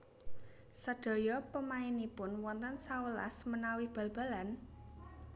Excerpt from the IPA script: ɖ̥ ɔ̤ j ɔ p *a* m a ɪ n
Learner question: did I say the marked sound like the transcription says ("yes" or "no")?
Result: no